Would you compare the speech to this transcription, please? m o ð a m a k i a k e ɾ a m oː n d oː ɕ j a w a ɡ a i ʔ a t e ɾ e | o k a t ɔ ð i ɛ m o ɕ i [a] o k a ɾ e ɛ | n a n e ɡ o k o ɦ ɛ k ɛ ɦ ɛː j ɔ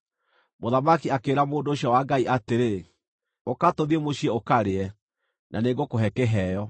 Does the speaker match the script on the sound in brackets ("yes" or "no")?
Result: no